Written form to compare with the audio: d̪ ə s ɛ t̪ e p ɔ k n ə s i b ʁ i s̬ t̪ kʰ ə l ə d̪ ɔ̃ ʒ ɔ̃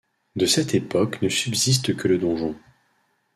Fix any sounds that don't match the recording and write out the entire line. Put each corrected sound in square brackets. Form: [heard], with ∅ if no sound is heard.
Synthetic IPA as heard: d̪ ə s ɛ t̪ e p ɔ k n ə s [y] b [z] i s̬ t̪ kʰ ə l ə d̪ ɔ̃ ʒ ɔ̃